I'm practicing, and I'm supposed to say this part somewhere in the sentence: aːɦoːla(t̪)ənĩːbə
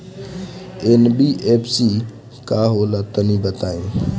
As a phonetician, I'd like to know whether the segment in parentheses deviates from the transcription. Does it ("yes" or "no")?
no